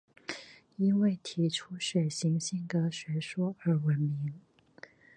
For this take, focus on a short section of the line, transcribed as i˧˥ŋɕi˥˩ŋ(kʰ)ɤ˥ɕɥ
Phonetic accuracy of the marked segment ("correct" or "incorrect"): incorrect